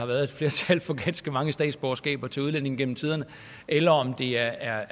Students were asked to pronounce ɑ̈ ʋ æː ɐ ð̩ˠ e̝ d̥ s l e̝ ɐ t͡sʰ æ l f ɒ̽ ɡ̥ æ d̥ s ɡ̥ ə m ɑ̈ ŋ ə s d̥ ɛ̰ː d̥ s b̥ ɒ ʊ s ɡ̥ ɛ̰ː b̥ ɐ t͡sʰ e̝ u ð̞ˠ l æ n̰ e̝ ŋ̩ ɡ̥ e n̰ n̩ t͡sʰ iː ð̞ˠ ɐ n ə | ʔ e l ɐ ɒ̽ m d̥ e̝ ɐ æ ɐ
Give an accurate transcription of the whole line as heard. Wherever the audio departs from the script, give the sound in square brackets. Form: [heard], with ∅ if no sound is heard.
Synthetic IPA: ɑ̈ ʋ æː ɐ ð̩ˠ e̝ d̥ [f] l e̝ ɐ t͡sʰ æ l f ɒ̽ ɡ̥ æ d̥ s ɡ̥ ə m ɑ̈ ŋ ə s d̥ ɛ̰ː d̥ s b̥ ɒ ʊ s ɡ̥ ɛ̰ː b̥ ɐ t͡sʰ e̝ u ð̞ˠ l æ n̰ e̝ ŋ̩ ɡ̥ e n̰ [m̩] t͡sʰ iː ð̞ˠ ɐ n ə | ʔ e l ɐ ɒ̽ m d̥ e̝ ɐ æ ɐ